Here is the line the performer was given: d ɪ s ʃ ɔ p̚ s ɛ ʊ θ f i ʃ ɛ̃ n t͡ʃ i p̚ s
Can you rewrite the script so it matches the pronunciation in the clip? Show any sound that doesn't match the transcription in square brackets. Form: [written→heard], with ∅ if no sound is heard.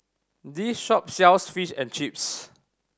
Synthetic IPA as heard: d [ɪ→i] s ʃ ɔ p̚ s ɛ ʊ [θ→s] f i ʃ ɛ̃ n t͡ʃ i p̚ s